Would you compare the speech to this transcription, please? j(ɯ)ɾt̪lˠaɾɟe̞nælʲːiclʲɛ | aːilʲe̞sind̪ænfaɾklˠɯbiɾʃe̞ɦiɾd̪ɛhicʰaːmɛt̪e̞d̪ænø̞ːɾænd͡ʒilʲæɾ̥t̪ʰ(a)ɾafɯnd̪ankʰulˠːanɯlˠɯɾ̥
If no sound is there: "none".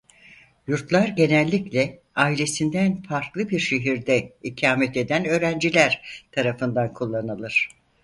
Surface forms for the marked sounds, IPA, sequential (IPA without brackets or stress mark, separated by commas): u, a